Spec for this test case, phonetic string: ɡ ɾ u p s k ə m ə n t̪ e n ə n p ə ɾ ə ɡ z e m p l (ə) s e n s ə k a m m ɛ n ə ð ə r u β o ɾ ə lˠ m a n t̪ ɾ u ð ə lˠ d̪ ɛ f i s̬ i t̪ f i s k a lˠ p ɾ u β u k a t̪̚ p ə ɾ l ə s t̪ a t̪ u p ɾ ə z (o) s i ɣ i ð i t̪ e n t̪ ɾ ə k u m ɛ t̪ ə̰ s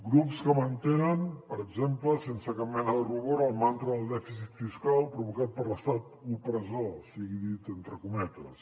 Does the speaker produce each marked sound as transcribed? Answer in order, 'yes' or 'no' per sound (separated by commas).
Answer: yes, yes